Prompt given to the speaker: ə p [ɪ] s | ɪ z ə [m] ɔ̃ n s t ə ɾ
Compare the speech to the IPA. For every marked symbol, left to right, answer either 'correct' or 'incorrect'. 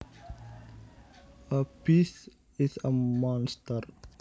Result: incorrect, correct

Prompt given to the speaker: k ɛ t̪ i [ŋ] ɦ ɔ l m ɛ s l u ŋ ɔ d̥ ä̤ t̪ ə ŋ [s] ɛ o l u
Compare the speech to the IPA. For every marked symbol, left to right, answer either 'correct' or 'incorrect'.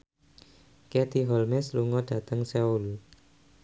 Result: incorrect, correct

